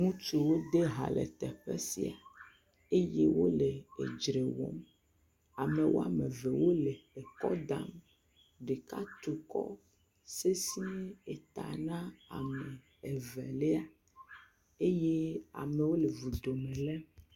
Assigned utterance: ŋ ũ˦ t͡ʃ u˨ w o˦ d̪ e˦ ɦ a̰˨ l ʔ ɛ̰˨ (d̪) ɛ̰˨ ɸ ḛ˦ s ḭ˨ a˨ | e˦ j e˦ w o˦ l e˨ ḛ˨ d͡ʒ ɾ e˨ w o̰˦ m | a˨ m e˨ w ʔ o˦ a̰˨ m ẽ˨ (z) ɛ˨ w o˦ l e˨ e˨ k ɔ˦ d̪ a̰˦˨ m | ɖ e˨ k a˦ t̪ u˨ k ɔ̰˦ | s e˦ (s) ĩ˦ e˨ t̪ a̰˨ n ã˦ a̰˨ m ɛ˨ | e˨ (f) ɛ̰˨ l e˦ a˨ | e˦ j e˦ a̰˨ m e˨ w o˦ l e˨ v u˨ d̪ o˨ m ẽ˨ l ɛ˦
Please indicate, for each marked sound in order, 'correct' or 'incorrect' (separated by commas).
incorrect, incorrect, correct, incorrect